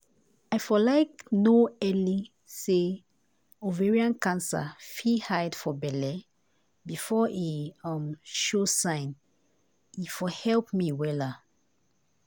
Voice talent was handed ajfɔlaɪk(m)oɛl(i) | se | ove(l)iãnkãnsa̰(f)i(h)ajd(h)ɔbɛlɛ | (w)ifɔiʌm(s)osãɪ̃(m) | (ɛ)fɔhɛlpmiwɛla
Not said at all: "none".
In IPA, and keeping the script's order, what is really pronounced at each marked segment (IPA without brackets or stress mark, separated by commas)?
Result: n, i, ɹ, f, h, f, b, ʃ, n, i